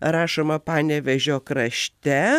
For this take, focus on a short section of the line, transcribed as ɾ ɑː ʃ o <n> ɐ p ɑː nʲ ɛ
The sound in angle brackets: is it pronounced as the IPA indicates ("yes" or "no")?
no